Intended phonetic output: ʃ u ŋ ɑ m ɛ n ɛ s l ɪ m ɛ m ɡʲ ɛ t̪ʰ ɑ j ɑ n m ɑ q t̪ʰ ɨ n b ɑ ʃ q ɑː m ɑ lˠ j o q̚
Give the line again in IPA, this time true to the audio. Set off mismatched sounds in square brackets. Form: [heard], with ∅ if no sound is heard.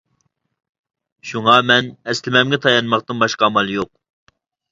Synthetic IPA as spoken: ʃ u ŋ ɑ m ɛ n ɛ s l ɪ m ɛ m ɡʲ ɛ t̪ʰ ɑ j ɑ n m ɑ q [t̪] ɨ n b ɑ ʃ q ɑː m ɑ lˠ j o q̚